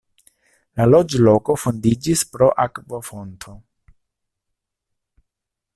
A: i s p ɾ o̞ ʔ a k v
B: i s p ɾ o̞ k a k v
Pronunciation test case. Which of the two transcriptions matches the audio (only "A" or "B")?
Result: A